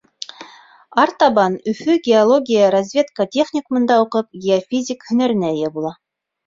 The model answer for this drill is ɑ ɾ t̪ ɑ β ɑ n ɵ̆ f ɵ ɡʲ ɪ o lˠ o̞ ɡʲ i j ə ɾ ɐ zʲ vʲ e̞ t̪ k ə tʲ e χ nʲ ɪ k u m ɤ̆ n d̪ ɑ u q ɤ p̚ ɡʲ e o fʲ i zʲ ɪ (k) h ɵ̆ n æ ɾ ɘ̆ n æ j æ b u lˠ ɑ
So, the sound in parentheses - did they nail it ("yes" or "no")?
yes